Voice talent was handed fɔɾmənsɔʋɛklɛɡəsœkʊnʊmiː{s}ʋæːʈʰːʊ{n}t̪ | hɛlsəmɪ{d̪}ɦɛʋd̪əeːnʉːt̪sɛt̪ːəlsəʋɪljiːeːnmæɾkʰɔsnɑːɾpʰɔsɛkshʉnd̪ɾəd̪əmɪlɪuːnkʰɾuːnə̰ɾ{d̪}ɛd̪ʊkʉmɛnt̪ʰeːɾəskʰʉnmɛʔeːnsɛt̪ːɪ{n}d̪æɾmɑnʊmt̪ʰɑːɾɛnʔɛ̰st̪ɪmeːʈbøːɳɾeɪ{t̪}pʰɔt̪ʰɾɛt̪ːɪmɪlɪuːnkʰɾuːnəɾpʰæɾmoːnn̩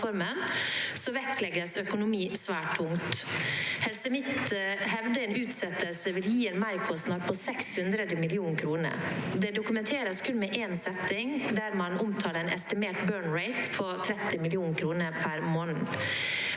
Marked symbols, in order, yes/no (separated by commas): yes, no, no, yes, no, yes